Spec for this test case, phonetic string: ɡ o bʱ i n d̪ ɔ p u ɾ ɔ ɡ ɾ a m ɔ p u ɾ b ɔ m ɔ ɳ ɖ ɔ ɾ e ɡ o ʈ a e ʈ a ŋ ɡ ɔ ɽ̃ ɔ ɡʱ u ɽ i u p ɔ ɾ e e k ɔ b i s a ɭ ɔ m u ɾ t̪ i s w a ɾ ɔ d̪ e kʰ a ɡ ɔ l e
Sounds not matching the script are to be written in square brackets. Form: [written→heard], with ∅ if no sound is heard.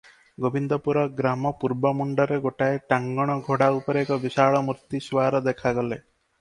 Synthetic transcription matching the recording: ɡ o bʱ i n d̪ ɔ p u ɾ ɔ ɡ ɾ a m ɔ p u ɾ b ɔ m [ɔ→u] ɳ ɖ ɔ ɾ e ɡ o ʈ a e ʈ a ŋ ɡ ɔ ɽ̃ ɔ ɡʱ [u→o] ɽ [i→a] u p ɔ ɾ e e k ɔ b i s a ɭ ɔ m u ɾ t̪ i s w a ɾ ɔ d̪ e kʰ a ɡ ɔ l e